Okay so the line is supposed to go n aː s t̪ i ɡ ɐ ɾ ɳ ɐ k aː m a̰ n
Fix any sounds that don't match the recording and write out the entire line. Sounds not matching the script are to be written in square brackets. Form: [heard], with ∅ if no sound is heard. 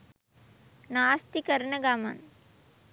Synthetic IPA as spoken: n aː s t̪ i [k] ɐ ɾ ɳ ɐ [ɡ] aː m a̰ n